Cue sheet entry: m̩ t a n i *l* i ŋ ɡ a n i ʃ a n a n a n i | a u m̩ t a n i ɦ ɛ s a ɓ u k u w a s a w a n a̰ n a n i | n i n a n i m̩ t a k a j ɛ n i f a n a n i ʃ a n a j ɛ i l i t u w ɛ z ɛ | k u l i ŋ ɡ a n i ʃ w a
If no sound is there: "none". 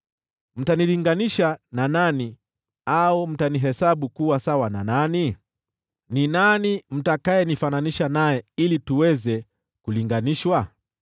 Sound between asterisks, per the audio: l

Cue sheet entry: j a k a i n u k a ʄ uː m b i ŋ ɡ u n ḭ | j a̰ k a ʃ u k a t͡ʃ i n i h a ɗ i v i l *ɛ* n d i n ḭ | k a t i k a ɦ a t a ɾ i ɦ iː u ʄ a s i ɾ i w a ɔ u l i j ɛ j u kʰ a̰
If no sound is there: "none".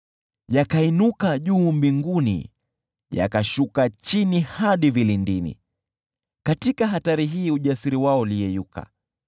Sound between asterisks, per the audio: i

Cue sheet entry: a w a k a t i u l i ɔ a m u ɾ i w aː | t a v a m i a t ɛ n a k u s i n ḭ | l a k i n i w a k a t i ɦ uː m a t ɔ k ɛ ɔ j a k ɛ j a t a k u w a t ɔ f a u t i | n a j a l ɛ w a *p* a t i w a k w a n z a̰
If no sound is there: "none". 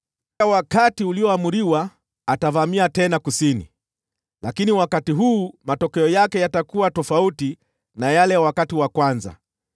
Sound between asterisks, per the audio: k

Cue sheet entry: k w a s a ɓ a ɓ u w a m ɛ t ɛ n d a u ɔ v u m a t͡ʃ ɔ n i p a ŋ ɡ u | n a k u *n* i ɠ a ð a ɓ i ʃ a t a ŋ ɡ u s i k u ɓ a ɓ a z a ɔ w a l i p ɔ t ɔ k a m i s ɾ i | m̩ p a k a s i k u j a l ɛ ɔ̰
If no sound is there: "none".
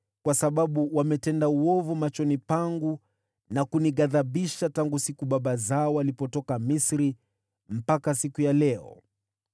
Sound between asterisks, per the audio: n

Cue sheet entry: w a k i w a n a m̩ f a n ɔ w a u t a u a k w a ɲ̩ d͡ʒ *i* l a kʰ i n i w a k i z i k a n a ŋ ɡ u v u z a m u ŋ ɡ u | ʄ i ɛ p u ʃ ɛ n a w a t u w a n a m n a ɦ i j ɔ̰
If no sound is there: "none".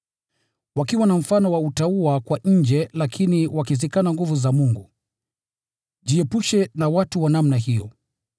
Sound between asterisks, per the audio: ɛ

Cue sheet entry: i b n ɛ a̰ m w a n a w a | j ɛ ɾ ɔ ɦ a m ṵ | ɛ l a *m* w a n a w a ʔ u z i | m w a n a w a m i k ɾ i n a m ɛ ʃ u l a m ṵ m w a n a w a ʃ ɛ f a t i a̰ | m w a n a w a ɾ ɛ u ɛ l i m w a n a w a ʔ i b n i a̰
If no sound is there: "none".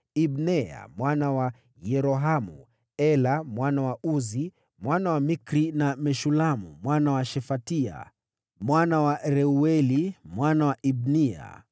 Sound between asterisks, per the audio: m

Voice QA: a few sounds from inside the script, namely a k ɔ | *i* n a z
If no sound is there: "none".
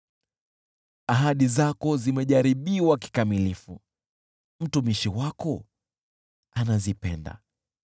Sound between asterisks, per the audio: a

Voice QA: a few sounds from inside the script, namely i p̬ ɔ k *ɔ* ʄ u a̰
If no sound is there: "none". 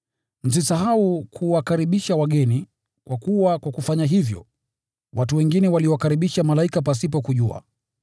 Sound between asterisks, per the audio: u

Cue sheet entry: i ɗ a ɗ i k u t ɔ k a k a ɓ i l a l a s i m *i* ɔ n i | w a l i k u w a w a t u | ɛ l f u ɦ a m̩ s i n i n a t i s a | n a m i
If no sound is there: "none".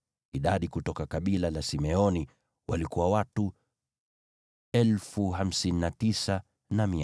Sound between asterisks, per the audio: ɛ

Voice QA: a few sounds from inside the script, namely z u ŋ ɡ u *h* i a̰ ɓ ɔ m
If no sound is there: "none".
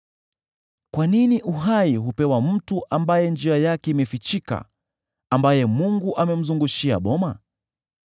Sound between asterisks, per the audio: ʃ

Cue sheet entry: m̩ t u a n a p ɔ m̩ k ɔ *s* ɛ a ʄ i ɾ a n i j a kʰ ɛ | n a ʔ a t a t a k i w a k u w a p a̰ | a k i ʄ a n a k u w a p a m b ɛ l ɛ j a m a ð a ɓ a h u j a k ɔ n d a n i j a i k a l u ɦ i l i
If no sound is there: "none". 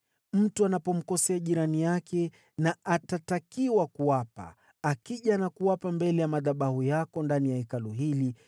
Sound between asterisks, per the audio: s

